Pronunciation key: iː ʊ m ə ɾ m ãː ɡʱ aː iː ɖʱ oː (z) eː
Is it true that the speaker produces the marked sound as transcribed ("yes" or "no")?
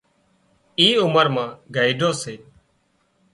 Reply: no